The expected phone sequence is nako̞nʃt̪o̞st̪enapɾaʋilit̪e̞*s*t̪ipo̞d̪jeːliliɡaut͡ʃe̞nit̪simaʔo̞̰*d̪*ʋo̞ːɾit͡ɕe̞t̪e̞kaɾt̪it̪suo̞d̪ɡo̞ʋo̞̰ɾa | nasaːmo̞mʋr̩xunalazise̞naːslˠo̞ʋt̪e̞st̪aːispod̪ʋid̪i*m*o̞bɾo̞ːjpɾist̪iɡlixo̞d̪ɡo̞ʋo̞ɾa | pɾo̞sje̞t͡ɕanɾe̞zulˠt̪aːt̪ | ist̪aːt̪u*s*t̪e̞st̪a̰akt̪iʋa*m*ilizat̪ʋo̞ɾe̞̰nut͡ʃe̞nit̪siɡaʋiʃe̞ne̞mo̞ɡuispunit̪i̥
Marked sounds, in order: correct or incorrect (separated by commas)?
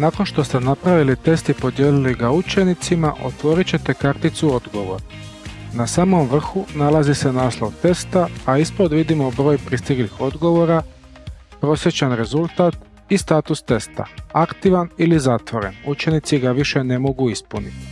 correct, incorrect, correct, correct, incorrect